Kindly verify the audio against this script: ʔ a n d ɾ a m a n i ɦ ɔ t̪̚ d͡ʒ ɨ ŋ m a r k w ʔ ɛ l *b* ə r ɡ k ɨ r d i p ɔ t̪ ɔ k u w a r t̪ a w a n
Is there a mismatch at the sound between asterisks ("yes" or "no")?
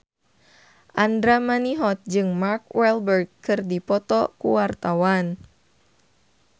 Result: no